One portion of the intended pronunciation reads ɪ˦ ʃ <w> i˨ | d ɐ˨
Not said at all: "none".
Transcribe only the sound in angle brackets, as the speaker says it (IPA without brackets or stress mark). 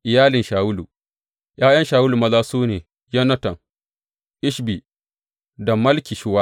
b